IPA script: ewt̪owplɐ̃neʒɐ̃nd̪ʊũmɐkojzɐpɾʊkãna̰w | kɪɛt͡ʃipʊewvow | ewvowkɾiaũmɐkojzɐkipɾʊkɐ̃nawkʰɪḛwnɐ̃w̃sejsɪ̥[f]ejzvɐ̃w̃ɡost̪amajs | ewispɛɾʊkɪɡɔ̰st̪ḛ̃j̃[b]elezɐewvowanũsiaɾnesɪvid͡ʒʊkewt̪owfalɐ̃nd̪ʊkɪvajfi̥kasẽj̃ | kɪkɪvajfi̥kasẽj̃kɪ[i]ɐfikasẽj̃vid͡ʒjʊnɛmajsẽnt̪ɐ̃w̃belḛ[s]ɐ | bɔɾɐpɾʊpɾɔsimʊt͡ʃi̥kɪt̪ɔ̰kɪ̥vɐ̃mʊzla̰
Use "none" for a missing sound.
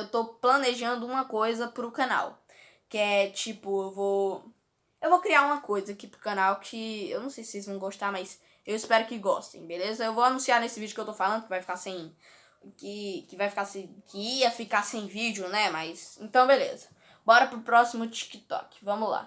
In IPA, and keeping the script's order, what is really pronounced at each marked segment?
s, b, i, z

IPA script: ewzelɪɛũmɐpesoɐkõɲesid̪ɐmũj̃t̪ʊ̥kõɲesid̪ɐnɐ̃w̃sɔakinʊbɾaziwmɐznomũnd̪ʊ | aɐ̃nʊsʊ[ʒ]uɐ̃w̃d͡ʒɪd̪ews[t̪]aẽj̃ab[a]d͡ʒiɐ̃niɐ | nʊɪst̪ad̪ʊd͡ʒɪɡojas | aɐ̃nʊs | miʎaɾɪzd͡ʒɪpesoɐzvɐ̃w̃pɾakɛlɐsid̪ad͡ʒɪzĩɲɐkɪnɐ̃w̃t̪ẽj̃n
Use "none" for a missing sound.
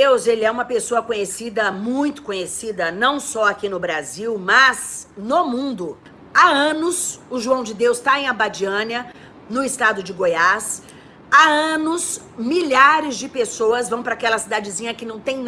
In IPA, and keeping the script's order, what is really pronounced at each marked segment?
ʒ, t̪, a

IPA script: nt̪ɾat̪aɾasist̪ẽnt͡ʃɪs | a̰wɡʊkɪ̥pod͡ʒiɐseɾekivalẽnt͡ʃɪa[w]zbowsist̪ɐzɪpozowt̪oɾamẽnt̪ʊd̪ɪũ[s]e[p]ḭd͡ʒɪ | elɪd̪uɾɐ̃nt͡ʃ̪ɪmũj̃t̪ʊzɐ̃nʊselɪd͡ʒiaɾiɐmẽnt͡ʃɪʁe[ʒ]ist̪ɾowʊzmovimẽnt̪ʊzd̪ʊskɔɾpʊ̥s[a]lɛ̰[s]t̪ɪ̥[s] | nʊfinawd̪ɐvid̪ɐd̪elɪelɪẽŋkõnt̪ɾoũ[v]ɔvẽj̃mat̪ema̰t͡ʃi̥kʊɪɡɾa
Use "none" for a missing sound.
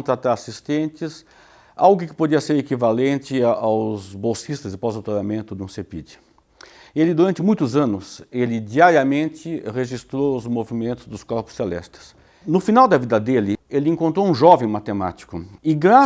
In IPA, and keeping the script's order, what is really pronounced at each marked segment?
w, s, p, ʒ, e, s, s, ʒ

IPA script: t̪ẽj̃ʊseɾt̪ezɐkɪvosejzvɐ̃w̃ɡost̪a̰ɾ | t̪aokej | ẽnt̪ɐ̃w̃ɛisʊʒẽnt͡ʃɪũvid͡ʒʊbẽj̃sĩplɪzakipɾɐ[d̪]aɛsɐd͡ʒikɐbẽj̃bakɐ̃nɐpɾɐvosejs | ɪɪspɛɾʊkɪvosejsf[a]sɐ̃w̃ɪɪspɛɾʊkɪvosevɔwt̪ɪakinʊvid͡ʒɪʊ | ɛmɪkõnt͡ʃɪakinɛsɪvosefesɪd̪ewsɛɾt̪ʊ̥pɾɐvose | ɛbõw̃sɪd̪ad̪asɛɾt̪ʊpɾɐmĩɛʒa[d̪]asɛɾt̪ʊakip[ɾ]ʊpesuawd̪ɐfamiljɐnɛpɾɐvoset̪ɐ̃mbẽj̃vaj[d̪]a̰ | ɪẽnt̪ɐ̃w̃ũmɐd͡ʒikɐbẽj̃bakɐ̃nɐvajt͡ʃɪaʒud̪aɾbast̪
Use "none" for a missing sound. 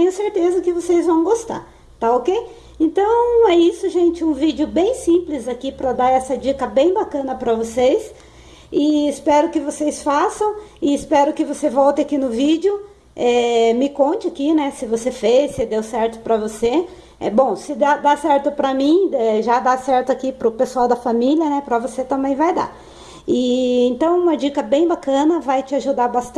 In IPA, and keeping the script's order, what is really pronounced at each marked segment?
d̪, a, d̪, ɾ, d̪

